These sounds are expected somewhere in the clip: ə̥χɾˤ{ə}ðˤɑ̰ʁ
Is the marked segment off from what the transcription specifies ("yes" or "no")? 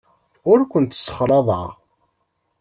yes